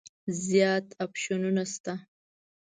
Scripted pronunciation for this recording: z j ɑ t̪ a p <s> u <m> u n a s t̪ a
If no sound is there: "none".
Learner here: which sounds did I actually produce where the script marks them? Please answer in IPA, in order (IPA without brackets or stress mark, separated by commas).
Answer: ʃ, n